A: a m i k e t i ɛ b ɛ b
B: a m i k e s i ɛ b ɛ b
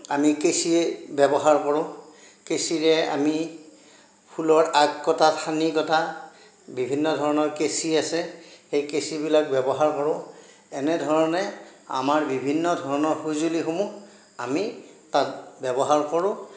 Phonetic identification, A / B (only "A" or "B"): B